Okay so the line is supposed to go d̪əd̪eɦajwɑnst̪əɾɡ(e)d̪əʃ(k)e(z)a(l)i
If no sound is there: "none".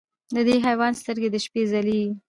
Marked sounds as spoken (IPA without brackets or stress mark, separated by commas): e, p, z, l